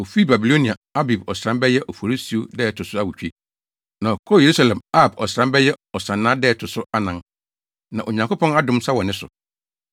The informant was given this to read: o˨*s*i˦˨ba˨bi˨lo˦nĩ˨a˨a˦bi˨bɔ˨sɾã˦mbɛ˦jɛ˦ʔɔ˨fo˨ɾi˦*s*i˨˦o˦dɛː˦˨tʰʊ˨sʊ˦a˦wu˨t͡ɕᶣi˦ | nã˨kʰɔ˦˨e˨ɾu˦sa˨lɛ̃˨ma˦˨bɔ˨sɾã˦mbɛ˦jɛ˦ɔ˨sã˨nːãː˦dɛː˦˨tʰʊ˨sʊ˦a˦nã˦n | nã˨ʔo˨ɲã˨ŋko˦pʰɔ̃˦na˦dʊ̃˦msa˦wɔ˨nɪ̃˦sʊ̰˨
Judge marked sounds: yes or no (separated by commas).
no, yes